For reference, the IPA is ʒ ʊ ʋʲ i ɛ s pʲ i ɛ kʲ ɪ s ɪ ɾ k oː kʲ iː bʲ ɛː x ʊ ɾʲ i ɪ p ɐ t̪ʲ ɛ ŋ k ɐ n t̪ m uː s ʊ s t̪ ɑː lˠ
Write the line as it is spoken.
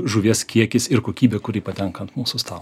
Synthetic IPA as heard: ʒ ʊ ʋʲ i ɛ s kʲ i ɛ kʲ ɪ s ɪ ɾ k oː kʲ iː bʲ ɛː k ʊ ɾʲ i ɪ p ɐ t̪ʲ ɛ ŋ k ɐ n t̪ m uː s ʊ s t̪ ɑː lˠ